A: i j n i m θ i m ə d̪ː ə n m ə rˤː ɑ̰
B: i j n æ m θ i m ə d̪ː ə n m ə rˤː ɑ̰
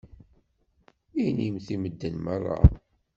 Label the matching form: A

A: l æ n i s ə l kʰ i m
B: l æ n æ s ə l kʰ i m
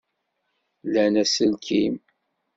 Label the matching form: B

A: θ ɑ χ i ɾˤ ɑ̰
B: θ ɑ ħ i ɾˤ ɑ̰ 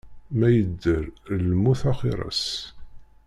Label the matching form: A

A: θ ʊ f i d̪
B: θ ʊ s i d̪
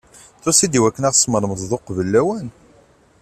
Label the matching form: B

